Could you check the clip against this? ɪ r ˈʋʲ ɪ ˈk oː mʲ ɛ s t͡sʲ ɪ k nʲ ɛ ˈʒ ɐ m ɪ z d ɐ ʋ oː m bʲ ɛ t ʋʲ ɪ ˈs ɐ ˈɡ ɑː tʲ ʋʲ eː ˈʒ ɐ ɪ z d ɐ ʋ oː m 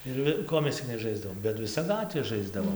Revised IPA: ɪ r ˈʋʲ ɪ ˈk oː mʲ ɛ s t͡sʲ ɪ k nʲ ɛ ˈʒ ɐ ɪ z d ɐ ʋ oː m bʲ ɛ t ʋʲ ɪ ˈs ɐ ˈɡ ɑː tʲ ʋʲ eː ˈʒ ɐ ɪ z d ɐ ʋ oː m